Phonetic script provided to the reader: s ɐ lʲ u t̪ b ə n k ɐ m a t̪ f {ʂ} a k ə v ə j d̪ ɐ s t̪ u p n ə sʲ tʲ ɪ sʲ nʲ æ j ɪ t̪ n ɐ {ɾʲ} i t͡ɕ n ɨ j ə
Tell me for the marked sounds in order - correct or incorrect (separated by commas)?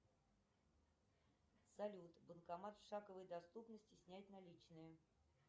correct, incorrect